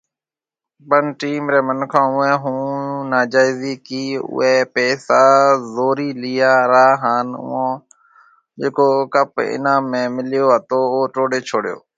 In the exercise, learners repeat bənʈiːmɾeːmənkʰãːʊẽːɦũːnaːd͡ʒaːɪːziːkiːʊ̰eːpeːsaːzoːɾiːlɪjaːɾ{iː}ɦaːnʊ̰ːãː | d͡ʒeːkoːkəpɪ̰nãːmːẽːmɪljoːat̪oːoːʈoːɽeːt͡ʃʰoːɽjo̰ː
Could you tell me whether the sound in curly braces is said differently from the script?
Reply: yes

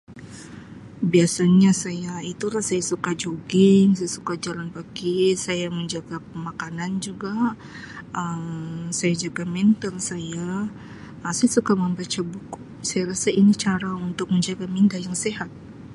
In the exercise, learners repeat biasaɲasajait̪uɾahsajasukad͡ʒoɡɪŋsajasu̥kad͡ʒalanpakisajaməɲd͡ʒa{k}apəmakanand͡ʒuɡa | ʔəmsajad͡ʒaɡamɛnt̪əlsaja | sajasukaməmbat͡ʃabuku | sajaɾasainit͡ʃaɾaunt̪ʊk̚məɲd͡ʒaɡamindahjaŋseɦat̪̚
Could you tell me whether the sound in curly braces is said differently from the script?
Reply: yes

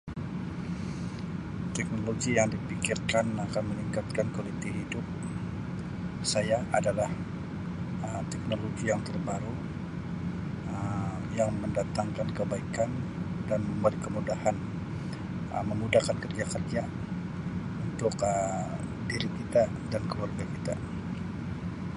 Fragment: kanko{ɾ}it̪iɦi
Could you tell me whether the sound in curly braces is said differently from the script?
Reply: yes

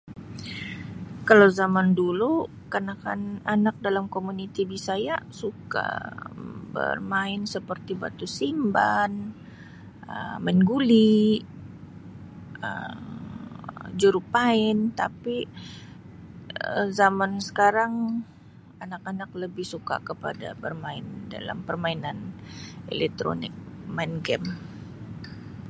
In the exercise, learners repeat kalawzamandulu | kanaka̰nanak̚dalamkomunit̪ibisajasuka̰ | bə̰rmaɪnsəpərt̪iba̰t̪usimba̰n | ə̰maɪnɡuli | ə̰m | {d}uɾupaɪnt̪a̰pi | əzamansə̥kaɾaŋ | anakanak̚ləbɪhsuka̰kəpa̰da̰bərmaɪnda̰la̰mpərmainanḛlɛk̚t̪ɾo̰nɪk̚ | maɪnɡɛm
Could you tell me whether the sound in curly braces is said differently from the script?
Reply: yes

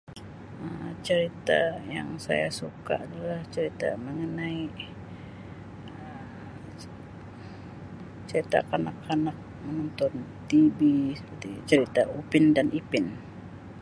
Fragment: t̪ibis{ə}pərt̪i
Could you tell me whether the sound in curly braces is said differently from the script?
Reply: no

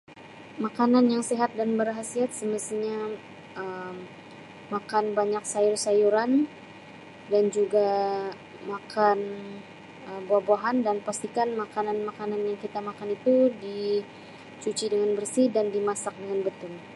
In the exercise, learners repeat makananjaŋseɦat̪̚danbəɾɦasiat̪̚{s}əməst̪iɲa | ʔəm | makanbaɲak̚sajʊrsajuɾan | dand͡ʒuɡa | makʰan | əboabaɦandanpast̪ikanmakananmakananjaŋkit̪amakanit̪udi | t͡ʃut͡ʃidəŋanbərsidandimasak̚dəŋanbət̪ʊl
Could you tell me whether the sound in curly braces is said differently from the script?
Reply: no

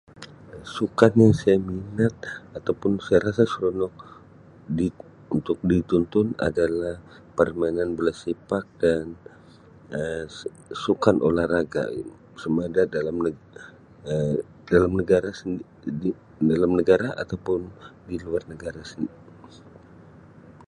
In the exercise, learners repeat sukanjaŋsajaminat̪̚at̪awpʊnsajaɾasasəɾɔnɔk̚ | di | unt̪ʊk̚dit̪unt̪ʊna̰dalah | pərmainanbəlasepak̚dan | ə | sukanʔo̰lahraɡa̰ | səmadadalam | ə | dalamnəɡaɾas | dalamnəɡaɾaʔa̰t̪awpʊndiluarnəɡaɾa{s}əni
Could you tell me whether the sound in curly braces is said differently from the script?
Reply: no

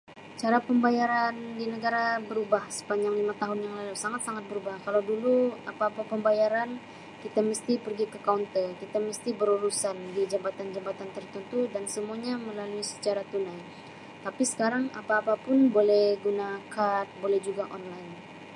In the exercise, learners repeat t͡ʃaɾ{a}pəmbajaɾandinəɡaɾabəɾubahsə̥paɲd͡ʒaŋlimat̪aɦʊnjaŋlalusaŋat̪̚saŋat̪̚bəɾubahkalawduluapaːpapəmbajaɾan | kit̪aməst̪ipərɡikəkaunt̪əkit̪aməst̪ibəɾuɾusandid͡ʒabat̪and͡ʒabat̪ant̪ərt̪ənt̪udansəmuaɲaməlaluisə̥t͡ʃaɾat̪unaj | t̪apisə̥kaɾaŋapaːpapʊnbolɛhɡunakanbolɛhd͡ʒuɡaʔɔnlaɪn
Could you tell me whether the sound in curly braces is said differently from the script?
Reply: no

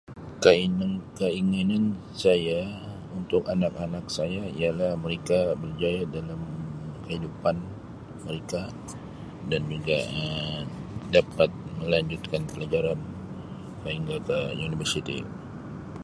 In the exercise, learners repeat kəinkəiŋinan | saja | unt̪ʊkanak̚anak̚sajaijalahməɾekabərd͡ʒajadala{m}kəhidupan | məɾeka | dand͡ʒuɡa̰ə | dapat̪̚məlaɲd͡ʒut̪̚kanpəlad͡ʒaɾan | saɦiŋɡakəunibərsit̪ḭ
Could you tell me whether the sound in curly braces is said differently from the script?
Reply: no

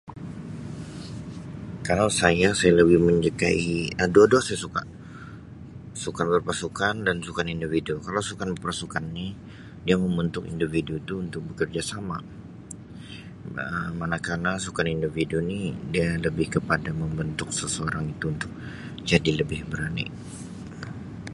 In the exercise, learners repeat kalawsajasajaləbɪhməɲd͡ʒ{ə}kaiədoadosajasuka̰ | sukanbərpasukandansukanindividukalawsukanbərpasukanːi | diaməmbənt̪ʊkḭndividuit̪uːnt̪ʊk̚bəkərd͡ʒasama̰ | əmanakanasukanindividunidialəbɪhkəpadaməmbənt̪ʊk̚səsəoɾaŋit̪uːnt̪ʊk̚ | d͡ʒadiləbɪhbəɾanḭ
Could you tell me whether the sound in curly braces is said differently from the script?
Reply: no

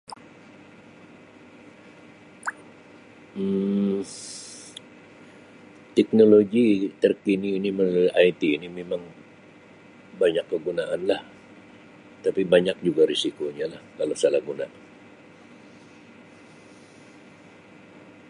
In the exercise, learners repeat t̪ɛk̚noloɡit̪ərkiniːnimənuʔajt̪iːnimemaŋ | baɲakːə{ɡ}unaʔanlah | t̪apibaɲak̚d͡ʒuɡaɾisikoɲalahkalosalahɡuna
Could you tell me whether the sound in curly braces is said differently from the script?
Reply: no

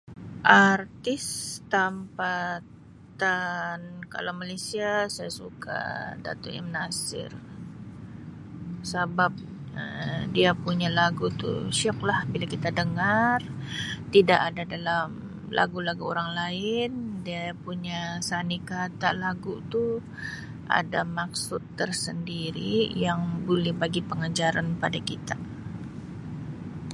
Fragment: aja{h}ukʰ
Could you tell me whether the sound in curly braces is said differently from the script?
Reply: yes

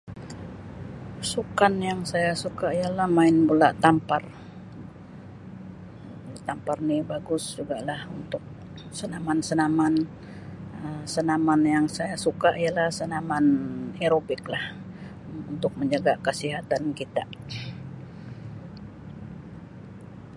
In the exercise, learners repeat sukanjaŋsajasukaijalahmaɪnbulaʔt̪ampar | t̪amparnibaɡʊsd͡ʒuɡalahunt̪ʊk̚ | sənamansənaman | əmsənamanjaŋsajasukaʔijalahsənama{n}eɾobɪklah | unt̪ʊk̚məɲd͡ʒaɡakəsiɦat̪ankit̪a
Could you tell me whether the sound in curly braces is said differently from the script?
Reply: no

